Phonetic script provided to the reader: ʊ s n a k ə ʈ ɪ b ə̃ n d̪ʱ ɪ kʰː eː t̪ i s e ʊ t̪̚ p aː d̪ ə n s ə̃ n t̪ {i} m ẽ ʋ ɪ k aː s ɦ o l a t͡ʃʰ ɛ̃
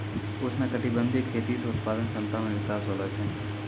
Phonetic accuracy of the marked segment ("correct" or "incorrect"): incorrect